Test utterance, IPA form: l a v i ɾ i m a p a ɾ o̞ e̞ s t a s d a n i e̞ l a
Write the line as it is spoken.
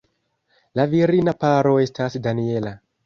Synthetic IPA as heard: l a v i ɾ i n a p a ɾ o̞ e̞ s t a s d a n i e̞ l a